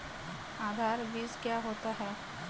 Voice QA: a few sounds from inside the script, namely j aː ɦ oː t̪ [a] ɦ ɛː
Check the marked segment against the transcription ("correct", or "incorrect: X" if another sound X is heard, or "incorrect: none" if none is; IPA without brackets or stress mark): correct